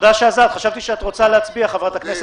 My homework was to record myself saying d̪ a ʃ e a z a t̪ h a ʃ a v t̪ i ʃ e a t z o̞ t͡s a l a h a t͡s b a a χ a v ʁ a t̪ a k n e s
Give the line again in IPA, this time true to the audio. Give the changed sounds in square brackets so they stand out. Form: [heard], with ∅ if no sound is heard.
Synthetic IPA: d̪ a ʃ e a z a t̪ [χ] a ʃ a v t̪ i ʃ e a t [ʁ] o̞ t͡s a l [e] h a t͡s b [i] a χ a v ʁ a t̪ a k n e s